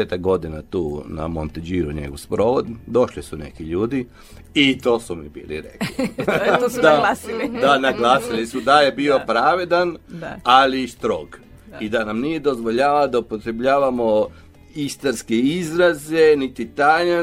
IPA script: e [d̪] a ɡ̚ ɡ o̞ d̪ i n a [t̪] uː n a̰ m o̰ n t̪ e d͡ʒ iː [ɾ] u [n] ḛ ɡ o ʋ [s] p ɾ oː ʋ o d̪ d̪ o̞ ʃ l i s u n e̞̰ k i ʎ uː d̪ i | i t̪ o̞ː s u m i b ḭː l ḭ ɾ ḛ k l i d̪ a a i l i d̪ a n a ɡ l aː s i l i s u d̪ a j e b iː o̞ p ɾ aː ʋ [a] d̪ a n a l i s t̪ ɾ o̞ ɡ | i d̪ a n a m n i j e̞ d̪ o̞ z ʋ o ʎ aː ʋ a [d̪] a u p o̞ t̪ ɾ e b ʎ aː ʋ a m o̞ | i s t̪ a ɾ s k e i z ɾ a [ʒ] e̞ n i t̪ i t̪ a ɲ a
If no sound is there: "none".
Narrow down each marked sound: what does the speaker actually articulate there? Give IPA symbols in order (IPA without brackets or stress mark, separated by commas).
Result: t̪, t̪, ɾ, ɲ, s, e, d̪, z